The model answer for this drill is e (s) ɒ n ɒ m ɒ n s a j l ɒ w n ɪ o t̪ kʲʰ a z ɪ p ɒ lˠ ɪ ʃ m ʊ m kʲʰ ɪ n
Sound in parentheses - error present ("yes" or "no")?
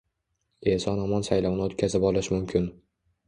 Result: no